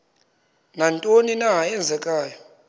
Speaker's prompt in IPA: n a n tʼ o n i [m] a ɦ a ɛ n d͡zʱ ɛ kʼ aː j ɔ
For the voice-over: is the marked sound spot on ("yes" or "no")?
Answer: no